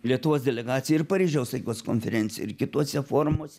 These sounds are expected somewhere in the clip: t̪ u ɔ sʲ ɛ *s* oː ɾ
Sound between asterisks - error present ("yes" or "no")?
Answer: yes